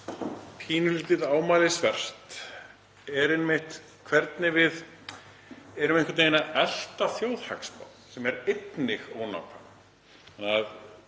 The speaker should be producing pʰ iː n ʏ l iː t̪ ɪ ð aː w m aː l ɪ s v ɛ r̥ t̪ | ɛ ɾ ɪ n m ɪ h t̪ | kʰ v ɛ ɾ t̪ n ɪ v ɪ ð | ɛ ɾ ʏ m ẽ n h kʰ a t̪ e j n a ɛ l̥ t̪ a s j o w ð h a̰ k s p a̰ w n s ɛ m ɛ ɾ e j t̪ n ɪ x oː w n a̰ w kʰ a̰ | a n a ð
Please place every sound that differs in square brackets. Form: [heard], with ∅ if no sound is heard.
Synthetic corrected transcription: pʰ iː n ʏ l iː t̪ ɪ ð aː w m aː l ɪ s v ɛ r̥ t̪ | ɛ ɾ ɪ n m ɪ h t̪ | kʰ v ɛ ɾ t̪ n ɪ v ɪ ð | ɛ ɾ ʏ m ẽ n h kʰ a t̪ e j n a ɛ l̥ t̪ a [θ] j o w ð h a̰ k s p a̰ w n s ɛ m ɛ ɾ e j t̪ n ɪ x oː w n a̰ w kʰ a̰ | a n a ð

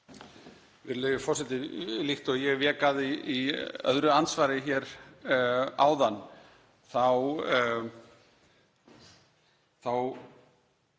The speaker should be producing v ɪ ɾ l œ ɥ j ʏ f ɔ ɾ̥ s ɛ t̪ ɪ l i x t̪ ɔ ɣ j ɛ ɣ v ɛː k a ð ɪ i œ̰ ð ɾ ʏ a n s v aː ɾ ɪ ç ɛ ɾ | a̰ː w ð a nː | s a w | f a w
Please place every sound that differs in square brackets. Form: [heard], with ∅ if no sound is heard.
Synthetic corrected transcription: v ɪ ɾ l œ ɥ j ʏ f ɔ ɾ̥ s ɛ t̪ ɪ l i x t̪ ɔ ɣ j ɛ ɣ v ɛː k a ð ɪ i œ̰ ð ɾ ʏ a n s v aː ɾ ɪ ç ɛ ɾ | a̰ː w ð a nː | [θ] a w | [θ] a w

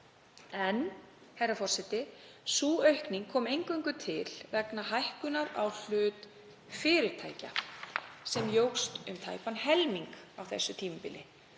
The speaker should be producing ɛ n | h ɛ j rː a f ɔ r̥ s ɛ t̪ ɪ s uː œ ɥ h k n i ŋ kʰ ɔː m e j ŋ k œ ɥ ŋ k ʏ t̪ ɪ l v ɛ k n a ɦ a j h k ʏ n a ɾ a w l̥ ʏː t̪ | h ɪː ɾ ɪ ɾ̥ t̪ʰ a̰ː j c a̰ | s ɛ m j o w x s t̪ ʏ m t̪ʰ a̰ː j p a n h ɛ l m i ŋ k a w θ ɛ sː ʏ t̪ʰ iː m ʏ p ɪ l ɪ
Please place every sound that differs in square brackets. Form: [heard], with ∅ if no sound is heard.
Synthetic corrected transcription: ɛ n | h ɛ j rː a f ɔ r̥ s ɛ t̪ ɪ s uː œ ɥ h k n i ŋ kʰ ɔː m e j ŋ k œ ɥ ŋ k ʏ [t̪ʰ] ɪ l v ɛ k n a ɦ a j h k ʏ n a ɾ a w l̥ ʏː t̪ | [f] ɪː ɾ ɪ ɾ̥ t̪ʰ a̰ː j c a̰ | s ɛ m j o w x s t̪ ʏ m t̪ʰ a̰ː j p a n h ɛ l m i ŋ k a w θ ɛ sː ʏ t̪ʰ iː m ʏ p ɪ l ɪ

